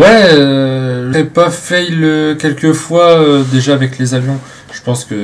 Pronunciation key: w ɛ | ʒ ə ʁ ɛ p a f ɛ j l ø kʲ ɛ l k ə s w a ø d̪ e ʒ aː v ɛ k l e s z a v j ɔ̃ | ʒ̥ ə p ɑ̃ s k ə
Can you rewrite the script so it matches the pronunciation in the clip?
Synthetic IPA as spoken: w ɛ | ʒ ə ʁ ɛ p a f ɛ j l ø kʲ ɛ l k ə f w a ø d̪ e ʒ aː v ɛ k l e z a v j ɔ̃ | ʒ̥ ə p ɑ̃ s k ə